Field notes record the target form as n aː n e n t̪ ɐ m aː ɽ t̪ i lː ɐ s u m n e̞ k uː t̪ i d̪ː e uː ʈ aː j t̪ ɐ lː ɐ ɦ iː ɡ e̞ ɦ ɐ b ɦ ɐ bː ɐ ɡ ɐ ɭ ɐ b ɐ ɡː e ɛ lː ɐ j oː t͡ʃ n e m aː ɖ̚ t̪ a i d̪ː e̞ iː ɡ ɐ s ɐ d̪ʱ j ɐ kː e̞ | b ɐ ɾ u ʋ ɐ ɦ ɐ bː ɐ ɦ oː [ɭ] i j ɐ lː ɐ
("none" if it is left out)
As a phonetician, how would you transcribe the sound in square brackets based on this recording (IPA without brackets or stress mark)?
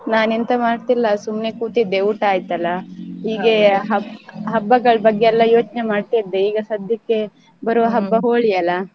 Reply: ɭ